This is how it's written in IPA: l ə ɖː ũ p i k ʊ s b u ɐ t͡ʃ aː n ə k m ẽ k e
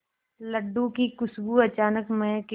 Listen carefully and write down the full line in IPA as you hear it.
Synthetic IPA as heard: l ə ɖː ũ k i k ʊ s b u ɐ t͡ʃ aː n ə k m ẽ k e